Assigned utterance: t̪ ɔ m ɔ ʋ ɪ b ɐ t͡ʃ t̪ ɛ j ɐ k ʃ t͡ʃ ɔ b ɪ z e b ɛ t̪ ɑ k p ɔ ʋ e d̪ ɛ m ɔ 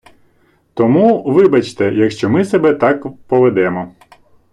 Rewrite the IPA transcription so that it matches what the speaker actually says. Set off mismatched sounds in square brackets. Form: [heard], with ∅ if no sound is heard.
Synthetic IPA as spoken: t̪ ɔ m [u] ʋ ɪ b ɐ t͡ʃ t̪ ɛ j ɐ k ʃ t͡ʃ ɔ [m] ɪ [s] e b ɛ t̪ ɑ k p ɔ ʋ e d̪ ɛ m ɔ